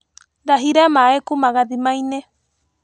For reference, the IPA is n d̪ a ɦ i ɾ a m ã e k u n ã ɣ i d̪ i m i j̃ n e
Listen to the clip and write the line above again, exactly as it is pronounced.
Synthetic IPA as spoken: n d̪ a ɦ i ɾ a m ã e k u m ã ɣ a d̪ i m a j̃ n e